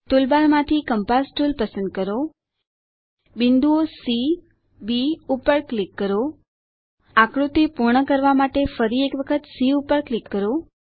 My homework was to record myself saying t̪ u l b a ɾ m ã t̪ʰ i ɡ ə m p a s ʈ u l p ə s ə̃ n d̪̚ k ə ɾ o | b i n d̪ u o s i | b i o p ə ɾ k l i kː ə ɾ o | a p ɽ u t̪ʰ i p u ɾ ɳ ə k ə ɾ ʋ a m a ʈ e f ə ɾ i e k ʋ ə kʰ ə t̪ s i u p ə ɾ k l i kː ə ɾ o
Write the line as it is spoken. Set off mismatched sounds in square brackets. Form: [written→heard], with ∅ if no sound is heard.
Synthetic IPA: t̪ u l b a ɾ m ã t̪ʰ i [ɡ→k] ə m p a s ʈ u l p ə s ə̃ n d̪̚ k ə ɾ o | b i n d̪ u o s i | b i [o→u] p ə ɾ k l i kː ə ɾ o | a [p→k] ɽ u [t̪ʰ→t̪] i p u ɾ ɳ ə k ə ɾ ʋ a m a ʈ e f ə ɾ i e k ʋ ə kʰ ə t̪ s i u p ə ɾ k l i kː ə ɾ o

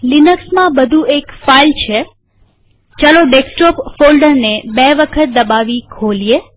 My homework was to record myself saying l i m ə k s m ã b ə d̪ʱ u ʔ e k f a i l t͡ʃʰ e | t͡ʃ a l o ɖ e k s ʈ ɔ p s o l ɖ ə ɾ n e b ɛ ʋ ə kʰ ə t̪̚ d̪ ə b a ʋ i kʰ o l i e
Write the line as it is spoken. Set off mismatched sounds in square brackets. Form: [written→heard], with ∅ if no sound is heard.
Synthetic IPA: l i [m→n] ə k s m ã b ə d̪ʱ u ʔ e k f a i l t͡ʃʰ e | t͡ʃ a l o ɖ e k s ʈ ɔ p [s→f] o l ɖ ə ɾ n e b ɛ ʋ ə kʰ ə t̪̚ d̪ ə b a ʋ i kʰ o l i e

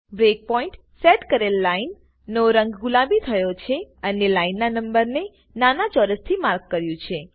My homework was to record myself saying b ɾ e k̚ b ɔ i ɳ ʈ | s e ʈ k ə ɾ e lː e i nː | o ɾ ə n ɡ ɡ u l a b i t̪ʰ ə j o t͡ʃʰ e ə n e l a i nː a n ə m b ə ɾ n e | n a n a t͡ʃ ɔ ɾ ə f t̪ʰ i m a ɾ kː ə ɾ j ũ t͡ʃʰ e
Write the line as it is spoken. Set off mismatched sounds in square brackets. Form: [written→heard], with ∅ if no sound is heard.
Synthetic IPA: b ɾ e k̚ [b→p] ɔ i ɳ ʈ | s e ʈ k ə ɾ e lː [e→a] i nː | o ɾ ə [n→ŋ] ɡ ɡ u l a b i t̪ʰ ə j o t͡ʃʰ e ə n e l a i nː a n ə m b ə ɾ n e | n a n a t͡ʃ ɔ ɾ ə [f→s] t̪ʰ i m a ɾ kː ə ɾ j ũ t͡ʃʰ e

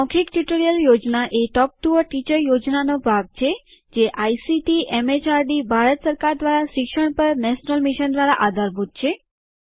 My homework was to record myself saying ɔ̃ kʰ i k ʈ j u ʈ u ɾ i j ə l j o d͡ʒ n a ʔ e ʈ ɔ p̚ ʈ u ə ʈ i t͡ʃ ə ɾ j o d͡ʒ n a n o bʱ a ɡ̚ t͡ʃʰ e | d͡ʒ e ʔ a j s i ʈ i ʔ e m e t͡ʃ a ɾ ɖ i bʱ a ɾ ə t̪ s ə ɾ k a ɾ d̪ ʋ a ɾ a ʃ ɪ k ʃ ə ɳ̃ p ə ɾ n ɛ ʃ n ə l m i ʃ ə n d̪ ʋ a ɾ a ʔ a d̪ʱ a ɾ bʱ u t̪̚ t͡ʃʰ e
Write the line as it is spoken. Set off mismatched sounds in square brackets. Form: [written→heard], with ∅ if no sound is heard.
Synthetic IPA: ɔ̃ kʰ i k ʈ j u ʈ [u→o] ɾ i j ə l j o d͡ʒ n a ʔ e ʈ ɔ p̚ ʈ u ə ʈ i t͡ʃ ə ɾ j o d͡ʒ n a n o bʱ a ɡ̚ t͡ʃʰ e | d͡ʒ e ʔ a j s i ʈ i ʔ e m e t͡ʃ a ɾ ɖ i bʱ a ɾ ə t̪ s ə ɾ k a ɾ d̪ ʋ a ɾ a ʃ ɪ k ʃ ə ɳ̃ p ə ɾ n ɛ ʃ n ə l m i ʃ ə n d̪ ʋ a ɾ a ʔ a d̪ʱ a ɾ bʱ u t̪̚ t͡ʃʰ e

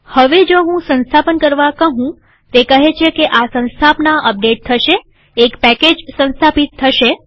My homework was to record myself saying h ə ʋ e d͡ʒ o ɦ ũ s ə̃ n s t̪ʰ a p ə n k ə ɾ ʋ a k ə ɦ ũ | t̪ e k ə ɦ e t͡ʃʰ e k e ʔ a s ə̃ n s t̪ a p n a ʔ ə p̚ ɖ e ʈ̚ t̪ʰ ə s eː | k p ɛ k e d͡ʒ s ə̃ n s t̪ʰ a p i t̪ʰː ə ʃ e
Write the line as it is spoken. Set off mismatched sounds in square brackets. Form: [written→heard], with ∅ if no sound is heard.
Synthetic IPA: h ə ʋ e d͡ʒ o ɦ ũ s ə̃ n s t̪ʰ a p ə n k ə ɾ ʋ a k ə ɦ ũ | t̪ e k ə ɦ e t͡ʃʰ e k e ʔ a s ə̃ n s [t̪→t̪ʰ] a p n a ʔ ə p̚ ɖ e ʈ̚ t̪ʰ ə [s→ʃ] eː | k p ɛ k e d͡ʒ s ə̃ n s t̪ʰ a p i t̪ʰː ə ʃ e

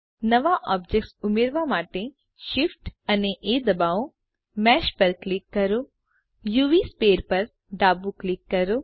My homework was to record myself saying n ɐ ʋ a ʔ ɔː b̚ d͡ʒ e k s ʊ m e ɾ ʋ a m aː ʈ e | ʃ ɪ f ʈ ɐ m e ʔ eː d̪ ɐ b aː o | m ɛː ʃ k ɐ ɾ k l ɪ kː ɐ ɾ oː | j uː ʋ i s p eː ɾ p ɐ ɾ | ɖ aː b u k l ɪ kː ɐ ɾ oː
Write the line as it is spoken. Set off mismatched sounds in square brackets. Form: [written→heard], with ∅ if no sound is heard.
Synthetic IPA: n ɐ ʋ a ʔ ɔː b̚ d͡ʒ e k s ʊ m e ɾ ʋ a m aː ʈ e | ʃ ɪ f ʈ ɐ [m→n] e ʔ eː d̪ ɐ b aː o | m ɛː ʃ [k→p] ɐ ɾ k l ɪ kː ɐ ɾ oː | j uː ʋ i s p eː ɾ p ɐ ɾ | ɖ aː b u k l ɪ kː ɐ ɾ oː

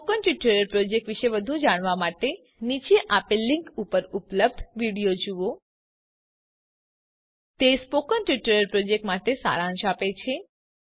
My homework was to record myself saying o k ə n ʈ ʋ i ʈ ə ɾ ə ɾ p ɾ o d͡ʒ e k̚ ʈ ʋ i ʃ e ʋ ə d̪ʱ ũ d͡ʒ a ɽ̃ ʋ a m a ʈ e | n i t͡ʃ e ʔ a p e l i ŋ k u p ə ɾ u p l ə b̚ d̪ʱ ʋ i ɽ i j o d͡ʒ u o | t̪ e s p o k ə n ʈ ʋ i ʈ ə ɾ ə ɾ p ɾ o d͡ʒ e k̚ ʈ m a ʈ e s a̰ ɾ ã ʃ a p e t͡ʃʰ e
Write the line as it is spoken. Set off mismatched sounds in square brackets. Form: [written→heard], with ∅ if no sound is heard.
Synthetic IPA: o k ə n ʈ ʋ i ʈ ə ɾ ə ɾ p ɾ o d͡ʒ e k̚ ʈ ʋ i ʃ e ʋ ə d̪ʱ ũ d͡ʒ a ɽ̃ ʋ a m a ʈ e | n i t͡ʃ e ʔ a p e l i ŋ k u p ə ɾ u p l ə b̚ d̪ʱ ʋ i ɽ i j o d͡ʒ u o | t̪ e s p o k ə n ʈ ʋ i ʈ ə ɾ ə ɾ p ɾ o d͡ʒ e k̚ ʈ m a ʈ e s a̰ ɾ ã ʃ a p e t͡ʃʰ e

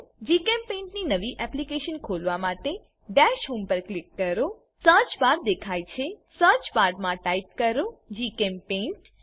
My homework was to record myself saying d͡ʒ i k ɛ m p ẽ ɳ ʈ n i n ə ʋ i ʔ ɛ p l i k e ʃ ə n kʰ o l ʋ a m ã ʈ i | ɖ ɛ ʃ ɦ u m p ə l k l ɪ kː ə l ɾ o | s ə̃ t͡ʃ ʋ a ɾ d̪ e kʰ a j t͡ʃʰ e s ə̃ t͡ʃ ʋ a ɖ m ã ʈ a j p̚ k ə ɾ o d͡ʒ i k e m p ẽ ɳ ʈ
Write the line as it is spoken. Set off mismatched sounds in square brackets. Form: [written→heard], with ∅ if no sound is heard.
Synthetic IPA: d͡ʒ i k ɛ m p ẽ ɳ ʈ n i n ə ʋ i ʔ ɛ p l i k e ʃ ə n kʰ o l ʋ a m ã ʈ [i→e] | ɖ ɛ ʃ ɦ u m p ə [l→ɾ] k l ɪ kː ə [l→∅] ɾ o | s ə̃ t͡ʃ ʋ a ɾ d̪ e kʰ a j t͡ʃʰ e s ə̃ t͡ʃ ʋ a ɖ m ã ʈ a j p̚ k ə ɾ o d͡ʒ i k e m p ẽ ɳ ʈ

